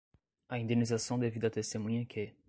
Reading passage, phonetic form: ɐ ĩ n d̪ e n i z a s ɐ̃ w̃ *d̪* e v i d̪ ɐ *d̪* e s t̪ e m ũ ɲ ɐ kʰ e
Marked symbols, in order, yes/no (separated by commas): yes, no